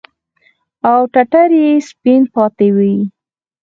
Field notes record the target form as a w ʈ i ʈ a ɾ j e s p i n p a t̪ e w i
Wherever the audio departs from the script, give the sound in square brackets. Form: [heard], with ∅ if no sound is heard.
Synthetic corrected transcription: a w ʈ [a] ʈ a ɾ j e s p i n p [ɑ] t̪ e w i